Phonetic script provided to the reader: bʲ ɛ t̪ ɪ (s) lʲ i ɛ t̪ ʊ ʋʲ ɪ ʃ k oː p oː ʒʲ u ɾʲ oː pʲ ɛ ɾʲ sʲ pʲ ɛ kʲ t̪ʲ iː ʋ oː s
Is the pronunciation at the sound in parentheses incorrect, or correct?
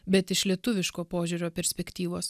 incorrect